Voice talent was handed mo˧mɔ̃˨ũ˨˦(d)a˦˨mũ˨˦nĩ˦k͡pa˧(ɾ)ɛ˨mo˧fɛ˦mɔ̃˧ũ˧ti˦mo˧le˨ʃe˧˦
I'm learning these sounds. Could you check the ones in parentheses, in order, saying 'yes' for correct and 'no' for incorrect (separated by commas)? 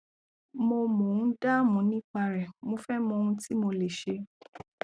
yes, yes